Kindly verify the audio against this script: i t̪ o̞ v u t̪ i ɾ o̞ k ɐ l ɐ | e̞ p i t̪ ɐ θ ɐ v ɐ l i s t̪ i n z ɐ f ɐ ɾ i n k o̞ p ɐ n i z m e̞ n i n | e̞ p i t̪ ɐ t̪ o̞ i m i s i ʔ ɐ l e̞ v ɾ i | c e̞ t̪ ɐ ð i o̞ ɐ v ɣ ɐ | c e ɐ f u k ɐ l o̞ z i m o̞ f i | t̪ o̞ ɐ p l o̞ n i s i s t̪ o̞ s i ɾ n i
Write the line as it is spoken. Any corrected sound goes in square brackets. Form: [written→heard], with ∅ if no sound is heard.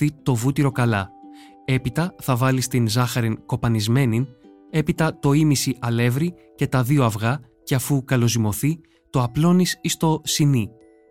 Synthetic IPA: i t̪ o̞ v u t̪ i ɾ o̞ k ɐ l ɐ | e̞ p i t̪ ɐ θ ɐ v ɐ l i s t̪ i n z ɐ [f→x] ɐ ɾ i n k o̞ p ɐ n i z m e̞ n i n | e̞ p i t̪ ɐ t̪ o̞ i m i s i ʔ ɐ l e̞ v ɾ i | c e̞ t̪ ɐ ð i o̞ ɐ v ɣ ɐ | c e ɐ f u k ɐ l o̞ z i m o̞ [f→θ] i | t̪ o̞ ɐ p l o̞ n i s i s t̪ o̞ s i [ɾ→∅] n i